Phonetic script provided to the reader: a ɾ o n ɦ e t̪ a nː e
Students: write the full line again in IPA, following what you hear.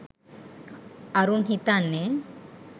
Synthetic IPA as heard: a ɾ u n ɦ i t̪ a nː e